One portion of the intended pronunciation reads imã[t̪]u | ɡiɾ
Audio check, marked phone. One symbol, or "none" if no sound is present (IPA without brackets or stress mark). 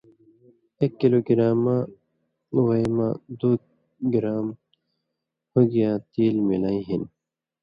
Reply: d̪